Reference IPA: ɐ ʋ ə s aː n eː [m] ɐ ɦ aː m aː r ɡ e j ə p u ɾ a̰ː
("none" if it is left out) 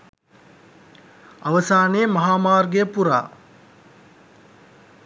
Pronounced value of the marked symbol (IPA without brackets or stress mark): m